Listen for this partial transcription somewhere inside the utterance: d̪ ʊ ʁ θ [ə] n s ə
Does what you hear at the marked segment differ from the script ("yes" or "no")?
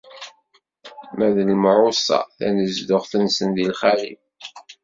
no